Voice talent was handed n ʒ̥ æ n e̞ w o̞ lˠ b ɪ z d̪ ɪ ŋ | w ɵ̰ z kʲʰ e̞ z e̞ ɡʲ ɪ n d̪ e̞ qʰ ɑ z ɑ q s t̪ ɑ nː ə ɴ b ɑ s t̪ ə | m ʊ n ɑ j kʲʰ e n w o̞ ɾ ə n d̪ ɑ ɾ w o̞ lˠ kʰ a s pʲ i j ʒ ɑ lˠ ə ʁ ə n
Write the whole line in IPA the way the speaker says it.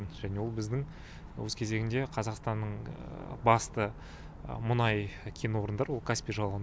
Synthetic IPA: n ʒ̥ æ n e̞ w o̞ lˠ b ɪ z d̪ ɪ ŋ | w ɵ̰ z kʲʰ e̞ z e̞ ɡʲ ɪ n d̪ e̞ qʰ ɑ z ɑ q s t̪ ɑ nː ə ɴ b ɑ s t̪ ə | m ʊ n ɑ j kʲʰ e n w o̞ ɾ ə n d̪ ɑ ɾ w o̞ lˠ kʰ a s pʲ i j ʒ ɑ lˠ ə ʁ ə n